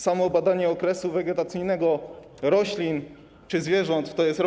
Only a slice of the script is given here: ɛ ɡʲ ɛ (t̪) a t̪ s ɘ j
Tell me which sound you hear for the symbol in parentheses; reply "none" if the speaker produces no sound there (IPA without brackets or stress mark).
t̪